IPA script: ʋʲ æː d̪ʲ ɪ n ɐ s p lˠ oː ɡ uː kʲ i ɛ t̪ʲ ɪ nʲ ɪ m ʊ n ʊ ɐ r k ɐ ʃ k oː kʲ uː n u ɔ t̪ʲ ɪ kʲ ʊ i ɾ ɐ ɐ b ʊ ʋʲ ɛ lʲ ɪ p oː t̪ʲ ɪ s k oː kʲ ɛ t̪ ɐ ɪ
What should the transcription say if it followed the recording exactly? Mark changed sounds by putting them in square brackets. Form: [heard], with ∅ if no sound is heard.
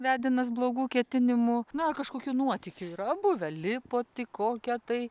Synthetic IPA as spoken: ʋʲ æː d̪ʲ ɪ n ɐ s [b] lˠ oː ɡ uː kʲ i ɛ t̪ʲ ɪ nʲ ɪ m ʊ n ʊ ɐ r k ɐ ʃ k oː kʲ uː n u ɔ t̪ʲ ɪ kʲ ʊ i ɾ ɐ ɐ b ʊ ʋʲ ɛ lʲ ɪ p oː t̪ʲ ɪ [∅] k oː kʲ ɛ t̪ ɐ ɪ